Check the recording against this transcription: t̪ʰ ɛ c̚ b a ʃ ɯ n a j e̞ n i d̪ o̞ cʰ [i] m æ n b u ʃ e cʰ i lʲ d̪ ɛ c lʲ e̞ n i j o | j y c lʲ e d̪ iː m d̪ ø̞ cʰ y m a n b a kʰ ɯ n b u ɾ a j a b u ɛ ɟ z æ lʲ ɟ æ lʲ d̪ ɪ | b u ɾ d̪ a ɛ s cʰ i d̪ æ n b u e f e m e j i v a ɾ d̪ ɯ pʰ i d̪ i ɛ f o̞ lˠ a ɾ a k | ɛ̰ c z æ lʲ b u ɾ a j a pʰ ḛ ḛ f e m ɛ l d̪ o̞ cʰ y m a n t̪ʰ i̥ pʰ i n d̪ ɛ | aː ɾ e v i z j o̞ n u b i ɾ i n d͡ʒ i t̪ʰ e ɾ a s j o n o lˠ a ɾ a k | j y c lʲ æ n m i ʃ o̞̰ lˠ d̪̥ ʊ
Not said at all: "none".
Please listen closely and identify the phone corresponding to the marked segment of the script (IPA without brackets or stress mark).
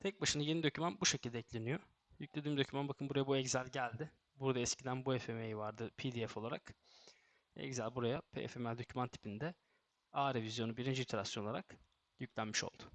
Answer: y